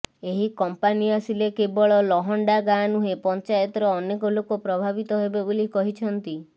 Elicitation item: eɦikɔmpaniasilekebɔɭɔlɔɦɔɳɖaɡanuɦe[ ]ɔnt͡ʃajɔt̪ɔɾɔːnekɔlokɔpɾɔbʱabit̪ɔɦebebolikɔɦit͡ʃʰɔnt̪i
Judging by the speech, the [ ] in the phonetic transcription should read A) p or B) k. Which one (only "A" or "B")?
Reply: A